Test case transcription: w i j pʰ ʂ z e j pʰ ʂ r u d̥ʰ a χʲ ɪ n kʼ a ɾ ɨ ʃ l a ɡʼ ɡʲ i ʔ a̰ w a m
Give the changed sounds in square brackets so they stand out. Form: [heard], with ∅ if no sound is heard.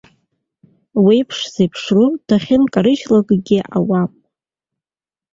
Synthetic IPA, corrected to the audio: w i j pʰ ʂ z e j pʰ ʂ r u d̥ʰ a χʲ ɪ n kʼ a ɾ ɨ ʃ l a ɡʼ ɡʲ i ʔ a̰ w a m